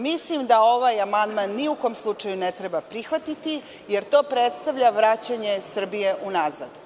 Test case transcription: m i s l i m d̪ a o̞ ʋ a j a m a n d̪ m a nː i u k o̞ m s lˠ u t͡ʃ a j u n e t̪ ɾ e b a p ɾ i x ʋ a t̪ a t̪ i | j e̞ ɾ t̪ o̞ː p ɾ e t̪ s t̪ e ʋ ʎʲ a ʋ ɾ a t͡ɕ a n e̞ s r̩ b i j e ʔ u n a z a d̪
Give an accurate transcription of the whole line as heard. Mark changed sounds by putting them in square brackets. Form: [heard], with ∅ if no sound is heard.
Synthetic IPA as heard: m i s l i m d̪ a o̞ ʋ a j a m a n d̪ m a nː i u k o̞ m s lˠ u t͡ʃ a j u n e t̪ ɾ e b a p ɾ i x ʋ a t̪ [i] t̪ i | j e̞ ɾ t̪ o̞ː p ɾ e t̪ s t̪ [a] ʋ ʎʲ a ʋ ɾ a t͡ɕ a [ɲ] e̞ s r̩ b i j e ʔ u n a z a d̪